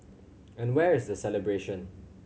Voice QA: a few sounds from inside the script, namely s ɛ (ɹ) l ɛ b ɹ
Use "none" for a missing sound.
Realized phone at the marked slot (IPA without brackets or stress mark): none